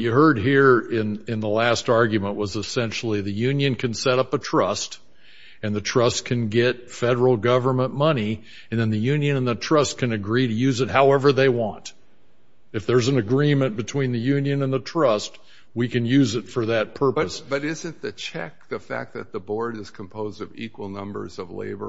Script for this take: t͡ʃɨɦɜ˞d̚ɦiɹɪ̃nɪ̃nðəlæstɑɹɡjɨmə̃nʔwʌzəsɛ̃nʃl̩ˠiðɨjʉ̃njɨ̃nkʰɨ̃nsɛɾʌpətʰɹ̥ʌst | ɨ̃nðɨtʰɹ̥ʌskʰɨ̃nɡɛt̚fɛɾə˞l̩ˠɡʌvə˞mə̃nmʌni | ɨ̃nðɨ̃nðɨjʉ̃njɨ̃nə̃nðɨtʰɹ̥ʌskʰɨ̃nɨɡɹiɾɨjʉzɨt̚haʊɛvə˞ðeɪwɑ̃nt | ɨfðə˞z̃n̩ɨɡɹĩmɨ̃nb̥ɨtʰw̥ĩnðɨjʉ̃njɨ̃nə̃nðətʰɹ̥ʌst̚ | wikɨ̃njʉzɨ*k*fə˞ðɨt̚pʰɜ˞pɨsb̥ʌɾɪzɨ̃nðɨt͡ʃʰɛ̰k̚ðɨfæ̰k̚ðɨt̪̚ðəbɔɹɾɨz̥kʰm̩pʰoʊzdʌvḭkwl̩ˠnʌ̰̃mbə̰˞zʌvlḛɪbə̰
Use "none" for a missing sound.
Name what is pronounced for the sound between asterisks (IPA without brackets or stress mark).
t